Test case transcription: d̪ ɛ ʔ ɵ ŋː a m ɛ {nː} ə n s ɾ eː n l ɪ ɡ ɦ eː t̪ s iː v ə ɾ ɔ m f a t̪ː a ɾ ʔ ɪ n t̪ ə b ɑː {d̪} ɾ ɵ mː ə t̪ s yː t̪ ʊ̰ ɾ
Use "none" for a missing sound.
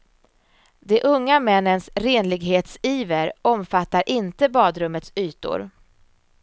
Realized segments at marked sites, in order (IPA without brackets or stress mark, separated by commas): nː, d̪